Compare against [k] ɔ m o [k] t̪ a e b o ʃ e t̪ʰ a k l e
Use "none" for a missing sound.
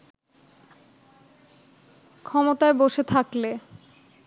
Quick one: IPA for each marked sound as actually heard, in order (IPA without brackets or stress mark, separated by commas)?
kʰ, none